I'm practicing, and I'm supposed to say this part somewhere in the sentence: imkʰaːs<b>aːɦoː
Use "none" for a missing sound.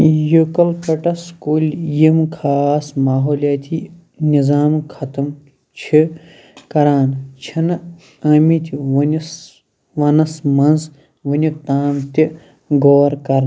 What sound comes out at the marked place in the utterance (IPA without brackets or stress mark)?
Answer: m